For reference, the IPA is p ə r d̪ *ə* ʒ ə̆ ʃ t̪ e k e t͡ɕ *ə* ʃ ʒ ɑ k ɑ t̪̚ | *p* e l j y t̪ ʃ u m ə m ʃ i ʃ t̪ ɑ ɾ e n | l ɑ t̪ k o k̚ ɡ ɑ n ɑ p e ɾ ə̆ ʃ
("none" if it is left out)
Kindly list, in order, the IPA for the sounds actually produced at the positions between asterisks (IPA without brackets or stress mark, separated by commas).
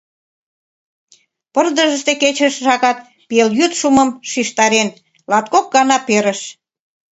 ə, ə, p